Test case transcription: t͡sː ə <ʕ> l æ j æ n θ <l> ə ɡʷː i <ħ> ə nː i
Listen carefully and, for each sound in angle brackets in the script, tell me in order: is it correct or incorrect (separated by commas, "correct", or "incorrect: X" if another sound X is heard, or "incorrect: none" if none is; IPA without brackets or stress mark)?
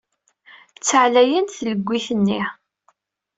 correct, correct, incorrect: θ